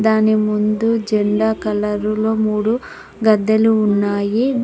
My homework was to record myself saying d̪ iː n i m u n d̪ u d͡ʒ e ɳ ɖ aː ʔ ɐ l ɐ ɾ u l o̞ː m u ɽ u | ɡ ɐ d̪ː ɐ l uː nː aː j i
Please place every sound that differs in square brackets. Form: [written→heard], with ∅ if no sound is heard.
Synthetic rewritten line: d̪ [iː→aː] n i m u n d̪ u d͡ʒ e ɳ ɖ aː [ʔ→k] ɐ l ɐ ɾ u l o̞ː m [u→uː] ɽ u | ɡ ɐ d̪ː ɐ l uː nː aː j i